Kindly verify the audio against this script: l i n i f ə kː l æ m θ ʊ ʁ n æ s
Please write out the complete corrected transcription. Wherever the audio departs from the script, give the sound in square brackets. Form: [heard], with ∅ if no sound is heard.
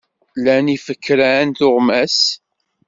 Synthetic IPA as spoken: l [æ] n i f ə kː [ɾ] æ [n] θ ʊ ʁ [m] æ s